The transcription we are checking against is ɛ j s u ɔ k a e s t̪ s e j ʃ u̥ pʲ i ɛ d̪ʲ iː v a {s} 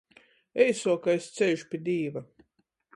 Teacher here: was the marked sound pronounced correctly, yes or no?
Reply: no